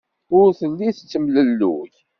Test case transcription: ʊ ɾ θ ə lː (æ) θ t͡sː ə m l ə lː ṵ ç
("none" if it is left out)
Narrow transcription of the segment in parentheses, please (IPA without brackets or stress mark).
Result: i